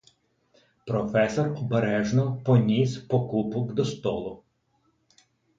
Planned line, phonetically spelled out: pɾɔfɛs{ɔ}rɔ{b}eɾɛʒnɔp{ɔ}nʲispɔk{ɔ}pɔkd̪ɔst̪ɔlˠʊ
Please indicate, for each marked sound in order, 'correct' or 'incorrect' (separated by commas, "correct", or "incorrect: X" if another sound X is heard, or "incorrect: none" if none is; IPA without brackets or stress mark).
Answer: correct, correct, correct, incorrect: u